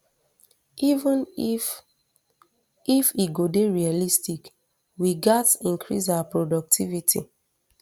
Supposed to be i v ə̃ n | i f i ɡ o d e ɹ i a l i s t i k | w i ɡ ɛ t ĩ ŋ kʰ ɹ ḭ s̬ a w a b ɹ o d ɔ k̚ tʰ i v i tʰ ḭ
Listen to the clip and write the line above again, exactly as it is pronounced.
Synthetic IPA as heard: i v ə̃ n | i f i ɡ o d e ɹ i a l i s t i k | w i ɡ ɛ t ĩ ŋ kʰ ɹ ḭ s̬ a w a p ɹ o d ɔ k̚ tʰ i v i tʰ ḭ